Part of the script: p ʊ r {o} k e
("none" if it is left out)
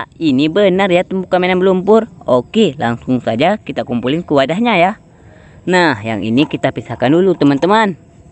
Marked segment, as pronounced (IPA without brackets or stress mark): o